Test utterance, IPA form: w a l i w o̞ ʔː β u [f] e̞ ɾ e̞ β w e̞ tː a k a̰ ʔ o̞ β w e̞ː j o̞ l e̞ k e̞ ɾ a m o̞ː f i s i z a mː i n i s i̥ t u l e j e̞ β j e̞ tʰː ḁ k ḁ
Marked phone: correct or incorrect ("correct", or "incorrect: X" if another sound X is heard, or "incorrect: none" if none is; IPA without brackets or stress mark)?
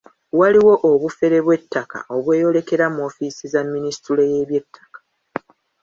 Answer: correct